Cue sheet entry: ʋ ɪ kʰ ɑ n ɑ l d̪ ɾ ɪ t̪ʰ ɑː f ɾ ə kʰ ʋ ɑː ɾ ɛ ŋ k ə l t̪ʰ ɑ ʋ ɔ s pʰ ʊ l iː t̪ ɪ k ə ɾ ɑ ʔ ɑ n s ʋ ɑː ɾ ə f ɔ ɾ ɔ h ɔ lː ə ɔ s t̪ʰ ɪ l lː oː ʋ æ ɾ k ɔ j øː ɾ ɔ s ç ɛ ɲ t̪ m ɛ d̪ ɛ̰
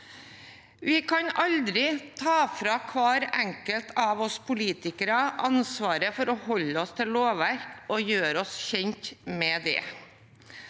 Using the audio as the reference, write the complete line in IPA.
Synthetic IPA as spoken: ʋ ɪ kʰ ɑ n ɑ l d̪ ɾ ɪ t̪ʰ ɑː f ɾ ɑ kʰ ʋ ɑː ɾ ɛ ŋ k ə l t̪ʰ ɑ ʋ ɔ s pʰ ʊ l iː t̪ ɪ k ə ɾ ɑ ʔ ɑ n s ʋ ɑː ɾ ə f ɔ ɾ ɔ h ɔ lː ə ɔ s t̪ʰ ɪ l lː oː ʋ æ ɾ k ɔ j øː ɾ ɔ s ç ɛ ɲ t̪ m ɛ d̪ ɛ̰

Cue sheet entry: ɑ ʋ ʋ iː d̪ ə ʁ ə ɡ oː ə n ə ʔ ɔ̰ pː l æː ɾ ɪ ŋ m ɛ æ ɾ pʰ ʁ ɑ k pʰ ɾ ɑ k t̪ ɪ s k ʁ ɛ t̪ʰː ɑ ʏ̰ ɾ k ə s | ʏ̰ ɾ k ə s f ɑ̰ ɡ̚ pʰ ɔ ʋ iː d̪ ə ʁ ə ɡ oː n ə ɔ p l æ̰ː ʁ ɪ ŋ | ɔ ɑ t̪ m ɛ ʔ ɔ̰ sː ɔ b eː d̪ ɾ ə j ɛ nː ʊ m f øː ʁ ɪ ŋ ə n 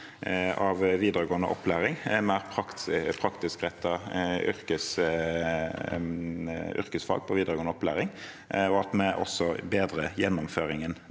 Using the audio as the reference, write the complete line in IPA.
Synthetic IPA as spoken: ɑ ʋ ʋ iː d̪ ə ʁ ə ɡ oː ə n ə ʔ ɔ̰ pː l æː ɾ ɪ ŋ m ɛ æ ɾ pʰ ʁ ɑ k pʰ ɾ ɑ k t̪ ɪ s k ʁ ɛ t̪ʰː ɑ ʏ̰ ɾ k ə s | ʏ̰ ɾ k ə s f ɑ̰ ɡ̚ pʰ ɔ ʋ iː d̪ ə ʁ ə ɡ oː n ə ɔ p l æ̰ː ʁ ɪ ŋ | ɔ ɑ t̪ m ɛ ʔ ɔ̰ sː ɔ b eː d̪ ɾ ə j ɛ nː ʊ m f øː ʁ ɪ ŋ ə n

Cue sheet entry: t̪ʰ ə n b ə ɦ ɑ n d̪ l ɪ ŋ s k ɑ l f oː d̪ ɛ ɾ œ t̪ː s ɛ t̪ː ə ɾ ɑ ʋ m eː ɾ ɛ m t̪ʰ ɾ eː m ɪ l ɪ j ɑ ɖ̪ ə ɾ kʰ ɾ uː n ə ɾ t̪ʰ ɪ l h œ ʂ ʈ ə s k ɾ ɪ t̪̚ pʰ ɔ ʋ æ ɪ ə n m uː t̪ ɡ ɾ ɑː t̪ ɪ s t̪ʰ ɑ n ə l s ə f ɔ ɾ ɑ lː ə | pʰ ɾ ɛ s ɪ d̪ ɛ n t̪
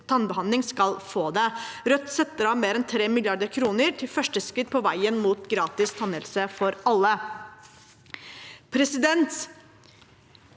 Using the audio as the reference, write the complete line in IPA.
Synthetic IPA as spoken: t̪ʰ ɑ n b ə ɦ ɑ n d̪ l ɪ ŋ s k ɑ l f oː d̪ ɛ ɾ œ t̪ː s ɛ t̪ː ə ɾ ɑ ʋ m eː ɾ ɛ n t̪ʰ ɾ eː m ɪ l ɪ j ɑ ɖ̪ ə ɾ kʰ ɾ uː n ə ɾ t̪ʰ ɪ l f œ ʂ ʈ ə s k ɾ ɪ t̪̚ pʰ ɔ ʋ æ ɪ ə n m uː t̪ ɡ ɾ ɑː t̪ ɪ s t̪ʰ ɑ n ə l s ə f ɔ ɾ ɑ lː ə | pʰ ɾ ɛ s ɪ d̪ ɛ n t̪

